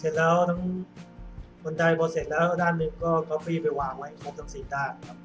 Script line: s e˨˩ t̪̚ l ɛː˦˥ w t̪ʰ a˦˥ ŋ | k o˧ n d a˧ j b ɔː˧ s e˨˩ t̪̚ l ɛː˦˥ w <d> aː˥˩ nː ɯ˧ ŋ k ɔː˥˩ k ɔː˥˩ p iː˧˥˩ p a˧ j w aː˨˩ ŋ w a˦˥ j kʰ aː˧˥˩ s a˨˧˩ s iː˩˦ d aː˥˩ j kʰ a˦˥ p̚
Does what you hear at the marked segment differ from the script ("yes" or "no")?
no